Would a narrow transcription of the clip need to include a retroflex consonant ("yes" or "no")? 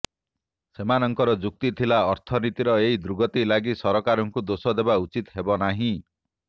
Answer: no